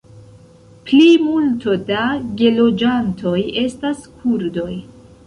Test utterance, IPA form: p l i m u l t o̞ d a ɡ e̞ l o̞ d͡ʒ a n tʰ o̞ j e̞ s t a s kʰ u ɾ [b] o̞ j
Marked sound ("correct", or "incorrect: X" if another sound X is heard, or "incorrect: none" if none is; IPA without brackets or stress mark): incorrect: d